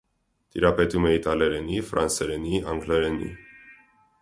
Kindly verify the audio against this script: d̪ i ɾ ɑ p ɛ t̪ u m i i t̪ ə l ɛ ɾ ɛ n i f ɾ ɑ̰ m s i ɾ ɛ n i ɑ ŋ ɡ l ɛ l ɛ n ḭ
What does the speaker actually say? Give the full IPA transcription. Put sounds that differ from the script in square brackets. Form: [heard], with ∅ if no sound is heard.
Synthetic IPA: [t̪] i ɾ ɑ p ɛ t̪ u m [ɛ] i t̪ [ɑ] l ɛ ɾ ɛ n i f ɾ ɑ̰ [n] s [ɛ] ɾ ɛ n i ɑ ŋ ɡ l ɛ [ɾ] ɛ n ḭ

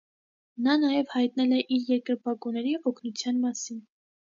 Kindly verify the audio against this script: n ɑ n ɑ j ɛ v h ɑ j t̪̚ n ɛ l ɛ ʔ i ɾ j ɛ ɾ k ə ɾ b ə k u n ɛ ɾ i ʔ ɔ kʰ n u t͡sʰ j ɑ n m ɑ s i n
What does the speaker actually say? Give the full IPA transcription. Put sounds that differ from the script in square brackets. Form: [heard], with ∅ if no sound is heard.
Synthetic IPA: n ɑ n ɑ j ɛ v h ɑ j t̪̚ n ɛ l ɛ ʔ i ɾ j ɛ ɾ k ə ɾ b [ɑ] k u n ɛ ɾ i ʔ ɔ kʰ n u t͡sʰ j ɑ n m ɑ s i n

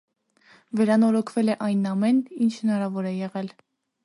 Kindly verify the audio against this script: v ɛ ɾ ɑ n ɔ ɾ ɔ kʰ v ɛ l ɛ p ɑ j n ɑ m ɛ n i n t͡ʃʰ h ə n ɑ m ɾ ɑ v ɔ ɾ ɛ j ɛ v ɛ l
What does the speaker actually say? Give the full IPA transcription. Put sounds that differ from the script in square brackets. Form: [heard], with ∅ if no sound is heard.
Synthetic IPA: v ɛ ɾ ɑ n ɔ ɾ ɔ kʰ v ɛ l ɛ [ʔ] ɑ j n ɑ m ɛ n i n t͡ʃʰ h ə n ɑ [∅] ɾ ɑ v ɔ ɾ ɛ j ɛ [ʁ] ɛ l

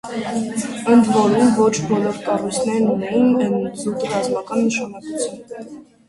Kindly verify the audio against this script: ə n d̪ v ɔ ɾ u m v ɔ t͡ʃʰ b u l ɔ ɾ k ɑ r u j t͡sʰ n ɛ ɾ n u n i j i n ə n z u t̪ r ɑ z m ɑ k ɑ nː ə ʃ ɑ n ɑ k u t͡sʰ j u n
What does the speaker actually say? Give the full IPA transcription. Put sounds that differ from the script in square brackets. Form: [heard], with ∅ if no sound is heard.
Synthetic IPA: ə n d̪ v ɔ ɾ u m v ɔ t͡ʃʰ b [ɔ] l ɔ ɾ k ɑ r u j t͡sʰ n ɛ ɾ n u n [ɛ] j i n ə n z u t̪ r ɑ z m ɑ k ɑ nː ə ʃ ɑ n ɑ k u t͡sʰ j u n

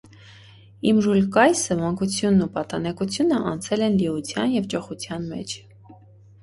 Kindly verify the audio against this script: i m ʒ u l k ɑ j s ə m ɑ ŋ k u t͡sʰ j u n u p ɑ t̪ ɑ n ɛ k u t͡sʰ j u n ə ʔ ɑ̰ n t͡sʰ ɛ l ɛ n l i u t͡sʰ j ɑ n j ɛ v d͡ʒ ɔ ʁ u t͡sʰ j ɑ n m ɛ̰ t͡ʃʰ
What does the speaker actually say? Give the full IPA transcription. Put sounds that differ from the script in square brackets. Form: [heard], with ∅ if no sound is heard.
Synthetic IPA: i m ʒ u l k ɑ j s ə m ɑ ŋ k u t͡sʰ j u [nː] u p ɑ t̪ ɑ n ɛ k u t͡sʰ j u n ə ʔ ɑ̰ n t͡sʰ ɛ l ɛ n l i u t͡sʰ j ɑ n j ɛ v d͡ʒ ɔ [χ] u t͡sʰ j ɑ n m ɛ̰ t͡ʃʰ

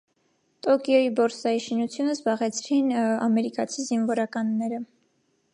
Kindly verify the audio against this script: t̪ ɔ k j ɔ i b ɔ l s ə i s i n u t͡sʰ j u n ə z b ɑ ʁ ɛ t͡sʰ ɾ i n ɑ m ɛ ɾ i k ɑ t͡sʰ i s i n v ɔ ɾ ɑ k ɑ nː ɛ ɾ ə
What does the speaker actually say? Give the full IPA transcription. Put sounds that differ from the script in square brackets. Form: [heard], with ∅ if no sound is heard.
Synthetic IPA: t̪ ɔ k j ɔ i b ɔ [ɾ] s [ɑ] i [ʃ] i n u t͡sʰ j u n ə z b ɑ ʁ ɛ t͡sʰ ɾ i n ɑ m ɛ ɾ i k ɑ t͡sʰ i [z] i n v ɔ ɾ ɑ k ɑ nː ɛ ɾ ə

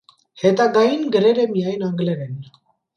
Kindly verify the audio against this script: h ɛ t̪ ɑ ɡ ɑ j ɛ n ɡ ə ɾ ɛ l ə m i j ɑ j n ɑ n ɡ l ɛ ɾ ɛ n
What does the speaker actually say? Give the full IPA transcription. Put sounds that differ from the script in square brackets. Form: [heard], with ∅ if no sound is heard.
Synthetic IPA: h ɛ t̪ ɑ ɡ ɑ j [i] n ɡ ə ɾ ɛ [ɾ] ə m i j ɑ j n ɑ [ŋ] ɡ l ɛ ɾ ɛ n

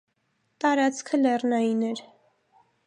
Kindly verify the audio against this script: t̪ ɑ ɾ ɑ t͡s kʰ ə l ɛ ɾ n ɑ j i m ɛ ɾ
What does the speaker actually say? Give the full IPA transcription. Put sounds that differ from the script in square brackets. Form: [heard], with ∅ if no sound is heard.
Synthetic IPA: t̪ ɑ ɾ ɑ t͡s kʰ ə l ɛ [r] n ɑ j i [n] ɛ ɾ

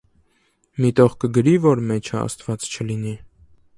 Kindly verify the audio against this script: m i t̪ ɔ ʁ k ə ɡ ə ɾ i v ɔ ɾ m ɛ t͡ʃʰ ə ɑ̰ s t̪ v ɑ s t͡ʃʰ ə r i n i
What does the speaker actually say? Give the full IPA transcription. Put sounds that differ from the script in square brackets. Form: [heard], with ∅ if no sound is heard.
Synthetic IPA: m i t̪ ɔ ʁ k ə ɡ ə ɾ i v ɔ ɾ m ɛ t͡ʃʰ ə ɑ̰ s t̪ v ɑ [t͡s] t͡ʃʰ ə [l] i n i

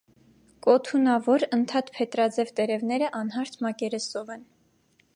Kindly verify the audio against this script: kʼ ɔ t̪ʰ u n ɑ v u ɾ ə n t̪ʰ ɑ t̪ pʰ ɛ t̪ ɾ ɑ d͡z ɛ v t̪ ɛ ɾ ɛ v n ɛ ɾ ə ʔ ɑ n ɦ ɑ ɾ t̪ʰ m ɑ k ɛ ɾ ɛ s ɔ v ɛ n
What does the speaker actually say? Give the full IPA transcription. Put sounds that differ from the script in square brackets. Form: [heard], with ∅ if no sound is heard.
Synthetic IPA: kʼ ɔ t̪ʰ u n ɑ v [ɔ] ɾ ə n t̪ʰ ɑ t̪ pʰ ɛ t̪ ɾ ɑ d͡z ɛ v t̪ ɛ ɾ ɛ v n ɛ ɾ ə ʔ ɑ n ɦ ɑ ɾ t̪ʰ m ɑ k ɛ ɾ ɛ s ɔ v ɛ n

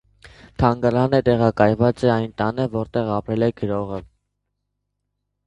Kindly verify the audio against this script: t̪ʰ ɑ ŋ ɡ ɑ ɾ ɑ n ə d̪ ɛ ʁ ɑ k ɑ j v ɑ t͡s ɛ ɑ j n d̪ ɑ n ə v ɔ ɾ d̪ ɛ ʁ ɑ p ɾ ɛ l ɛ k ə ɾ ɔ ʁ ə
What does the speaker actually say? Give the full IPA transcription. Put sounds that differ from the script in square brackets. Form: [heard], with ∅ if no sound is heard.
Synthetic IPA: t̪ʰ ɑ ŋ ɡ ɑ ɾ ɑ n ə [t̪] ɛ ʁ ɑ k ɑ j v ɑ t͡s ɛ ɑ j n [t̪] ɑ n ə v ɔ ɾ [t̪] ɛ ʁ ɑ p ɾ ɛ l ɛ [ɡ] ə ɾ ɔ ʁ ə

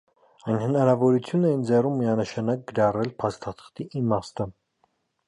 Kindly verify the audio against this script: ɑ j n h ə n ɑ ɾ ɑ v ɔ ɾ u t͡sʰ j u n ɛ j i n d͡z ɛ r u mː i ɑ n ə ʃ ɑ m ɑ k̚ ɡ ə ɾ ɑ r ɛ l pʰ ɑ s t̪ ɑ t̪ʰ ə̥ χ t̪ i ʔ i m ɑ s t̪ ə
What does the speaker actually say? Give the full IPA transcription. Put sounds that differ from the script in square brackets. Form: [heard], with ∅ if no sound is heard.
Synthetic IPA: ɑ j n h ə n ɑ ɾ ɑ v ɔ ɾ u t͡sʰ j u n ɛ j i n d͡z ɛ r u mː i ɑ n ə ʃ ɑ [n] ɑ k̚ ɡ ə ɾ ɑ r ɛ l pʰ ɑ s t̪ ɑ t̪ʰ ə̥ χ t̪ i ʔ i m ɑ s t̪ ə

